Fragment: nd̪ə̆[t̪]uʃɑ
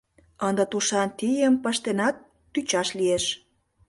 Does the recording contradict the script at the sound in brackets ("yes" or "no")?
no